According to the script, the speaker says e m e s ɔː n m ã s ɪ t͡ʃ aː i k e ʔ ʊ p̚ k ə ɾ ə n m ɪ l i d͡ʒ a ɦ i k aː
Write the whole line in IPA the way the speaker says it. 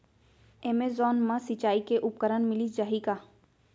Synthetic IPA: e m e z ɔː n m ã s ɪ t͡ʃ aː i k e ʔ ʊ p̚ k ə ɾ ə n m ɪ l i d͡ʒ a ɦ i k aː